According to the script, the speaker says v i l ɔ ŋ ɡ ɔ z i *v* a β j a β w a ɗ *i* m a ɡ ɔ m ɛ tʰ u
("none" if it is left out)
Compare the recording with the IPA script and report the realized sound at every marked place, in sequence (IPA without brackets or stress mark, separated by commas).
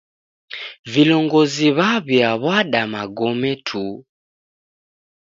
β, a